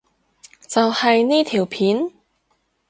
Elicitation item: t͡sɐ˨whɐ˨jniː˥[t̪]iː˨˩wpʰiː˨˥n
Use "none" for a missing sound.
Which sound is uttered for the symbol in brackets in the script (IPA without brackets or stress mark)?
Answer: t̪ʰ